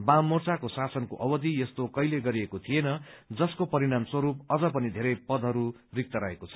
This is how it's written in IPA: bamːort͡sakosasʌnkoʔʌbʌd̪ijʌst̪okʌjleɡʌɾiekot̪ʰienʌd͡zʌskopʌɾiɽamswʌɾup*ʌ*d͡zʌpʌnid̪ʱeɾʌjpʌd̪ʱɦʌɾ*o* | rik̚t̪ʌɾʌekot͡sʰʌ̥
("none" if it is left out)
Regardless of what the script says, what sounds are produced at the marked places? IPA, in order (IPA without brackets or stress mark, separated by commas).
ʌ, u